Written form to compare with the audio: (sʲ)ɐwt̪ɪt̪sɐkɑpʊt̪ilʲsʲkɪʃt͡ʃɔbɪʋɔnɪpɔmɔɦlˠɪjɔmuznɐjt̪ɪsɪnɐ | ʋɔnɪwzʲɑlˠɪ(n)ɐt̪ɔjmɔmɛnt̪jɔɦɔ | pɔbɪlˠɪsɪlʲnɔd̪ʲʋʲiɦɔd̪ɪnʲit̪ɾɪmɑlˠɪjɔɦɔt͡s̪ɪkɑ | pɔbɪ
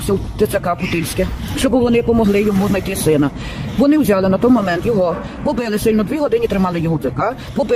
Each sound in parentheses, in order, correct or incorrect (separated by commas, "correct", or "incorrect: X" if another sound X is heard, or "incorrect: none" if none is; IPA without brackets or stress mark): correct, correct